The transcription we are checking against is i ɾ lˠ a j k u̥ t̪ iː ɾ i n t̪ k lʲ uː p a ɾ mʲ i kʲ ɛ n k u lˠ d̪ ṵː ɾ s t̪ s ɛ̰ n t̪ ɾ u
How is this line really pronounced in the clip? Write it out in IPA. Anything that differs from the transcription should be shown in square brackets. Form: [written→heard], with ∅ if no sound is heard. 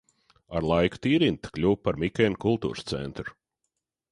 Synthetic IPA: [i→a] ɾ lˠ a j k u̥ t̪ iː ɾ i n t̪ k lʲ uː p a ɾ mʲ i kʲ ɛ n k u lˠ [d̪→t̪] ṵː ɾ s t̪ s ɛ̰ n t̪ ɾ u

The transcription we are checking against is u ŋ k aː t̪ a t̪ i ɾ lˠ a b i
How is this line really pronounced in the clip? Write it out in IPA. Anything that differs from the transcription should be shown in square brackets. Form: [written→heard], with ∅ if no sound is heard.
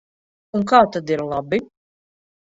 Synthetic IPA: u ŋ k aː t̪ a [t̪→d̪] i ɾ lˠ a b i

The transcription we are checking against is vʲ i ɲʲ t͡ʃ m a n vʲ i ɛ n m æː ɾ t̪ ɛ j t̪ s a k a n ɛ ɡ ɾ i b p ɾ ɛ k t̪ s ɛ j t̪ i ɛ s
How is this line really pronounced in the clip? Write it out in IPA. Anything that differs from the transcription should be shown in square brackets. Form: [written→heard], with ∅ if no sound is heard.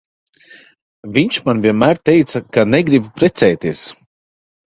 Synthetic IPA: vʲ i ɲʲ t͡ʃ m a n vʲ i ɛ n m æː ɾ t̪ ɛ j t̪ s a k a n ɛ ɡ ɾ i b p ɾ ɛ [k→∅] t̪ s ɛ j t̪ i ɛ s

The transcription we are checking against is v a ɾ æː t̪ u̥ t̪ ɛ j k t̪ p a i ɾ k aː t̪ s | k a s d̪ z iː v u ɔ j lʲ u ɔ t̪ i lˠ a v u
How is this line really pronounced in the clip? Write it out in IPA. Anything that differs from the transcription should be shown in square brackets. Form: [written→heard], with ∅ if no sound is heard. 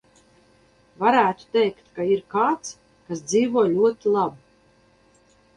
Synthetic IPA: v a ɾ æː t̪ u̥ t̪ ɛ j k t̪ [p→k] a i ɾ k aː t̪ s | k a s d̪ z iː v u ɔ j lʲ u ɔ t̪ i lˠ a [v→b] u

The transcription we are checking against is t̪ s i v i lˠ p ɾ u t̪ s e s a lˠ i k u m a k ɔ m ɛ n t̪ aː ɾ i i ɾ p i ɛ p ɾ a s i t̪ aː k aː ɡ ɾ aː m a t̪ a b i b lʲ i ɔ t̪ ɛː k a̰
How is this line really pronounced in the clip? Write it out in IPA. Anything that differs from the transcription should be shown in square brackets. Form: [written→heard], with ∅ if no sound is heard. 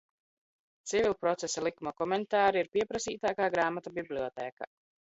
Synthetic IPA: t̪ s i v i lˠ p ɾ [u→ɔ] t̪ s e s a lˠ i k u m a k ɔ m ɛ n t̪ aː ɾ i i ɾ p i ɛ p ɾ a s [i→iː] t̪ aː k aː ɡ ɾ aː m a t̪ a b i b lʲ i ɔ t̪ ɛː k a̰

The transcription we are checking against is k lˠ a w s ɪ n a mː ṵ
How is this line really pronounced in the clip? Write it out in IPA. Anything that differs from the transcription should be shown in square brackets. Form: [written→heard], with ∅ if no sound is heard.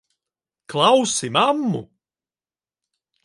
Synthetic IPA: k lˠ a w s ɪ [n→m] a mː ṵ

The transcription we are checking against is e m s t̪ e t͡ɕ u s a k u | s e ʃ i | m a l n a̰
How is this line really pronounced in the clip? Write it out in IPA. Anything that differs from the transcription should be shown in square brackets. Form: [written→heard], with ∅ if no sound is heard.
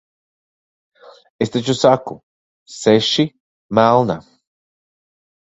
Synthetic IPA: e [m→∅] s t̪ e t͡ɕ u s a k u | s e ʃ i | m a l n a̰

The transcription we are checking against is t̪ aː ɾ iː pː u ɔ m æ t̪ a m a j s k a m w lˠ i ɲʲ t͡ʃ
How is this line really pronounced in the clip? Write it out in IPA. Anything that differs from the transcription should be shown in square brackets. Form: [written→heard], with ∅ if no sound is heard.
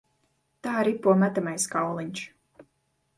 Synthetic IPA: t̪ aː ɾ [iː→i] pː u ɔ m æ t̪ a m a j s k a [m→∅] w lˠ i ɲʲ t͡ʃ

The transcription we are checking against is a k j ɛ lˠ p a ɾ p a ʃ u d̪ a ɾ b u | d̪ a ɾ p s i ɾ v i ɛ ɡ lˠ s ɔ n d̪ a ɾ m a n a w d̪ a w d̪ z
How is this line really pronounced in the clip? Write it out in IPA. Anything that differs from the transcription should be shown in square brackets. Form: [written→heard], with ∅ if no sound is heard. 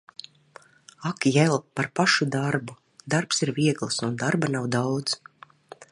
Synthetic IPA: a k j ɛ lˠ p a ɾ p a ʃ u d̪ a ɾ b u | d̪ a ɾ p s i ɾ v i ɛ ɡ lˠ s [ɔ→u] n d̪ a ɾ [m→b] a n a w d̪ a w d̪ z

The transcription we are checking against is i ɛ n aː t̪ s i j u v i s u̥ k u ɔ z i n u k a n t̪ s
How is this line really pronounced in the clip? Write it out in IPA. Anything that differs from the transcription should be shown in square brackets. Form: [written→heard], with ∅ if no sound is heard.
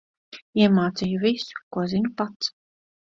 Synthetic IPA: i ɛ [n→m] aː t̪ s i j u v i s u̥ k u ɔ z i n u [k→p] a [n→∅] t̪ s

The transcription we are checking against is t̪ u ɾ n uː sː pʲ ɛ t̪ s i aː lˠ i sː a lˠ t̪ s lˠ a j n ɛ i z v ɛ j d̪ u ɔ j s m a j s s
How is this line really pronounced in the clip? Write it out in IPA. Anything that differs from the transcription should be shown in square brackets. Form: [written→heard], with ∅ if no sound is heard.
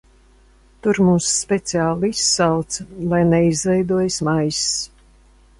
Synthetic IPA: t̪ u ɾ [n→m] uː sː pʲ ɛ t̪ s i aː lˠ i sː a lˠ t̪ s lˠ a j n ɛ i z v ɛ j d̪ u ɔ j s m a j s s

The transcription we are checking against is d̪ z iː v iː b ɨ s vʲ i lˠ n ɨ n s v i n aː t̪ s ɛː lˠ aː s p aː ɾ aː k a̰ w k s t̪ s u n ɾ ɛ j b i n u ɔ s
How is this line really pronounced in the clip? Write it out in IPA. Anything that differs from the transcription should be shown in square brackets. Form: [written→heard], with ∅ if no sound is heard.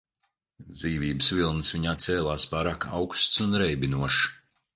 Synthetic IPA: d̪ z iː v iː b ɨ s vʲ i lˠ n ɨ [n→∅] s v i [n→ɲ] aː t̪ s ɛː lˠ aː s p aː ɾ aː k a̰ w k s t̪ s u n ɾ ɛ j b i n u ɔ [s→ʃ]

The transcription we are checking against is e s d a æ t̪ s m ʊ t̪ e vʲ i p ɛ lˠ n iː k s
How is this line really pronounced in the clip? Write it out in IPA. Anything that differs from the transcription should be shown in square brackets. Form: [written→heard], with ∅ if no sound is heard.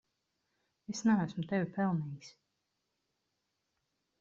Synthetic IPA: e s [d→n] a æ [t̪→∅] s m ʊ t̪ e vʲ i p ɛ lˠ n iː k s

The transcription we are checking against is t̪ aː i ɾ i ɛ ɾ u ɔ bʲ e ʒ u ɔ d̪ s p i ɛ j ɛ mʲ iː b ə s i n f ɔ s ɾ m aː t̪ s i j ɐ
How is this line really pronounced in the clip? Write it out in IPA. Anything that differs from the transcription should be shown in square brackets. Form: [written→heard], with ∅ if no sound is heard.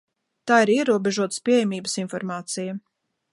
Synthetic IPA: t̪ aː i ɾ i ɛ ɾ u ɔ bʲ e ʒ u ɔ [d̪→t̪] s p i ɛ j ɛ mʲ iː b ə s i n f ɔ [s→∅] ɾ m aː t̪ s i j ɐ

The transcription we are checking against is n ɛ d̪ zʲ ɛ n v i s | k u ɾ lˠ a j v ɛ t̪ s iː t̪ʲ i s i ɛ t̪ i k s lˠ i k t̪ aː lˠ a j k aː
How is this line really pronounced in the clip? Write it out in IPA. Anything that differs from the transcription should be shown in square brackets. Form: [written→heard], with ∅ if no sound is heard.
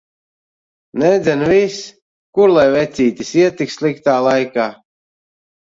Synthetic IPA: n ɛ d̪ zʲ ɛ n v i s | k u ɾ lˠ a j v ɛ t̪ s iː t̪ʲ i s i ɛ t̪ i k s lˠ i k t̪ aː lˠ a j k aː

